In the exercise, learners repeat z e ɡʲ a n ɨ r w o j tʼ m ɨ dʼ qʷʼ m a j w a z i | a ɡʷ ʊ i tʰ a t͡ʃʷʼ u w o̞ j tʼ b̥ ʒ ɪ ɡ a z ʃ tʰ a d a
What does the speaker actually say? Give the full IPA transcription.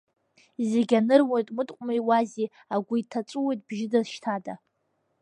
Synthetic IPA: z e ɡʲ a n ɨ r w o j tʼ m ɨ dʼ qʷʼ m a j w a z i | a ɡʷ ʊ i tʰ a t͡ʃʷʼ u w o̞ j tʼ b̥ ʒ ɪ d a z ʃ tʰ a d a